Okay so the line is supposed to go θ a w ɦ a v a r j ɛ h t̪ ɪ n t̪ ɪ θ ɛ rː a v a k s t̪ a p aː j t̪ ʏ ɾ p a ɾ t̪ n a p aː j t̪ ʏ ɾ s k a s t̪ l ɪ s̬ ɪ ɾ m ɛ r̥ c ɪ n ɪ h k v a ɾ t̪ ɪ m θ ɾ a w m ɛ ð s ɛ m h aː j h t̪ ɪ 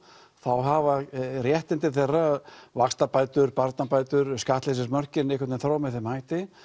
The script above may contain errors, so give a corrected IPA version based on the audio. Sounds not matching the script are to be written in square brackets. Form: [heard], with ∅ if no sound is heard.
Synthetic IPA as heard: θ a w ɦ a v a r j ɛ h t̪ ɪ n t̪ ɪ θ ɛ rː a v a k s t̪ a p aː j t̪ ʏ ɾ p a ɾ t̪ n a p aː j t̪ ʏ ɾ s k a [h] t̪ l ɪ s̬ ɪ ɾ m [œ] r̥ c ɪ n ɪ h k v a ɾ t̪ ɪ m θ ɾ a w m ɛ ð [θ] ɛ m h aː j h t̪ ɪ